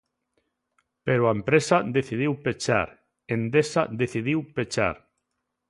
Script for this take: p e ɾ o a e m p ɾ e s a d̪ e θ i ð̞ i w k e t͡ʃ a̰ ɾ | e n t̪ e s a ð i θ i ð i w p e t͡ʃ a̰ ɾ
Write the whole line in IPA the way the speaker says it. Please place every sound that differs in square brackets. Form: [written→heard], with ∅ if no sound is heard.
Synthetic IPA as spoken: p e ɾ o a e m p ɾ e s a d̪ e θ i ð̞ i w [k→p] e t͡ʃ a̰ ɾ | e n [t̪→d̪] e s a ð [i→e] θ i ð i w p e t͡ʃ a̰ ɾ